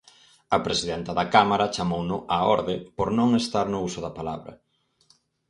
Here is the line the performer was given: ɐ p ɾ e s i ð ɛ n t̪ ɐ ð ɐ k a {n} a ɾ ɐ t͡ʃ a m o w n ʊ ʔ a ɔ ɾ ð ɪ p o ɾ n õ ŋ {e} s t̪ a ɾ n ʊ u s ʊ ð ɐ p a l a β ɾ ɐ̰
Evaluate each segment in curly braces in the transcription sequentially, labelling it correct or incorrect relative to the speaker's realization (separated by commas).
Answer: incorrect, correct